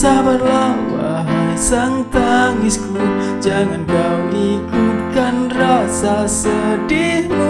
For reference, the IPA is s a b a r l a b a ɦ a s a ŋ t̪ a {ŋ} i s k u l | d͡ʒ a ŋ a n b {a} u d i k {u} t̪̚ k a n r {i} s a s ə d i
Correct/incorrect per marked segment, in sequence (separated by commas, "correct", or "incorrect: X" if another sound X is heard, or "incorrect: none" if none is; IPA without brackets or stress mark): correct, correct, correct, incorrect: a